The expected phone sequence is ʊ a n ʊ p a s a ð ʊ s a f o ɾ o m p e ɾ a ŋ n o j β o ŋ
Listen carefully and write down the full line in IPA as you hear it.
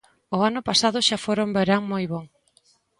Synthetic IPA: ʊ a n ʊ p a s a ð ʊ ʃ a f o ɾ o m b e ɾ a ŋ m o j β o ŋ